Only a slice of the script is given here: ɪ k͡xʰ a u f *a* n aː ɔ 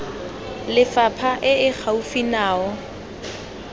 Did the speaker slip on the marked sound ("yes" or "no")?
yes